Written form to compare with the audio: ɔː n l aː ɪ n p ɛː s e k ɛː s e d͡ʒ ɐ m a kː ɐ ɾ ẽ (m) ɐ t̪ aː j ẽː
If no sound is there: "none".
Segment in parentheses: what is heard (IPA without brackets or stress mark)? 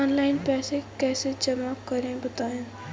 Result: b